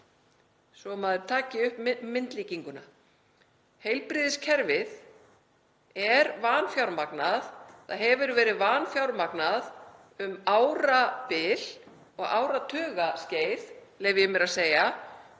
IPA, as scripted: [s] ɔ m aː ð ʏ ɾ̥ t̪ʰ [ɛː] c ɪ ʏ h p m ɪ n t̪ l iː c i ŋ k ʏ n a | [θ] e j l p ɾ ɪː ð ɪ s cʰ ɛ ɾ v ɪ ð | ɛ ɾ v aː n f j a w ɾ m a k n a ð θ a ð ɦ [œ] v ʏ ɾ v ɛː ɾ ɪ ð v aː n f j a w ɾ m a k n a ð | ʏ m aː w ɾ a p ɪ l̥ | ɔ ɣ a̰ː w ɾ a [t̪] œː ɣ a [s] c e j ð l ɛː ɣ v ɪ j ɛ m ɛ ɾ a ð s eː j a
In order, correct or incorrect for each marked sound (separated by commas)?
correct, incorrect, incorrect, incorrect, incorrect, correct